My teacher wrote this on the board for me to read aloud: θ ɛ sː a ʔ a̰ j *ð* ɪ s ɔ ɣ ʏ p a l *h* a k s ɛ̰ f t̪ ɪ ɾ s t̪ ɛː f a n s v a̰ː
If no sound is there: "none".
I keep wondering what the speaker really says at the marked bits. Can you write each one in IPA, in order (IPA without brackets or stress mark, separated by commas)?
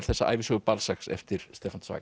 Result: v, s